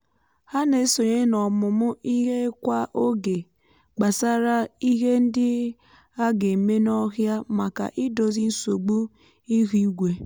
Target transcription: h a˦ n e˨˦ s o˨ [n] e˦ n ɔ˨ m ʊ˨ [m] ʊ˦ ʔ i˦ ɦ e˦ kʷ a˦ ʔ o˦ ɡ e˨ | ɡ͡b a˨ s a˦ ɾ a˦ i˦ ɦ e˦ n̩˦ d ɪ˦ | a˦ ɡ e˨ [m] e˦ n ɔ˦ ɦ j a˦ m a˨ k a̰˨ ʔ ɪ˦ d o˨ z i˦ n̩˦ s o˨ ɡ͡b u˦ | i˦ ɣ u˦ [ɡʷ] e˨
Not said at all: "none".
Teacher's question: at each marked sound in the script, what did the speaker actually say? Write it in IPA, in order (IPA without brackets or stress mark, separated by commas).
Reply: ɲ, m, m, ɡʷ